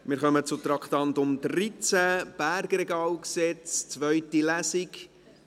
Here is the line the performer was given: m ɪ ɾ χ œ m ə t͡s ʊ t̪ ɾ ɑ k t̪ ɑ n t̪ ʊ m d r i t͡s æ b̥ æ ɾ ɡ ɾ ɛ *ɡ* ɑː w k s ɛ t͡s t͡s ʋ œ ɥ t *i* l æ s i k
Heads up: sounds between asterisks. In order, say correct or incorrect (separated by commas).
correct, correct